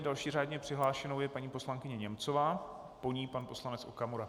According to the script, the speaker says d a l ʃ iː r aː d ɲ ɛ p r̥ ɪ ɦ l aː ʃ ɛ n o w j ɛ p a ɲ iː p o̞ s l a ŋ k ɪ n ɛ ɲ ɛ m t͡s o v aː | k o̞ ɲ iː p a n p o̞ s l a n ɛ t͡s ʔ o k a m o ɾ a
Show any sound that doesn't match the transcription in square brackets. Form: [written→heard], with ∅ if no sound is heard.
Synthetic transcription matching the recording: d a l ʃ iː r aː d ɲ ɛ p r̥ ɪ ɦ l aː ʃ ɛ n o w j ɛ p a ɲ iː p o̞ s l a ŋ k ɪ [n→ɲ] ɛ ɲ ɛ m t͡s o v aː | [k→p] o̞ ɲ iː p a n p o̞ s l a n ɛ t͡s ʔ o k a m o ɾ a